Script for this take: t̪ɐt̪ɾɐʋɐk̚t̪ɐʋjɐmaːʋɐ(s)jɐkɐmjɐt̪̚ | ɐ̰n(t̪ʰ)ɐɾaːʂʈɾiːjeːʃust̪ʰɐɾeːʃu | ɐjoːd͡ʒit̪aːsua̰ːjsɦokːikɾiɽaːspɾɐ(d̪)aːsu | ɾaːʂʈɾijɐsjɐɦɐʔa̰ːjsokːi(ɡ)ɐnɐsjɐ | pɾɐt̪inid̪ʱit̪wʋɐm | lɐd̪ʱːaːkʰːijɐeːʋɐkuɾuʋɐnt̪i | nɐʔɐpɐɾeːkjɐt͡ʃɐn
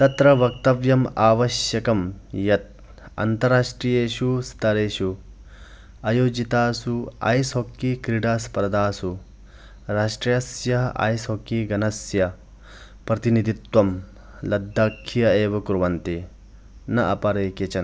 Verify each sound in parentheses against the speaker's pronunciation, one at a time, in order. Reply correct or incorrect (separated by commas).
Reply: incorrect, incorrect, correct, correct